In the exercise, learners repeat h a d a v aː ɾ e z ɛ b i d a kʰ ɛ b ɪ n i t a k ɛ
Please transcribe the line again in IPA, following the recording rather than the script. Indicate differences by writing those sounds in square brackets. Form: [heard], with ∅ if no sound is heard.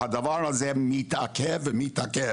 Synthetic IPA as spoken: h a d a v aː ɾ [a] z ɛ [m] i [t] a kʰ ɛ [v] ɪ [m] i t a k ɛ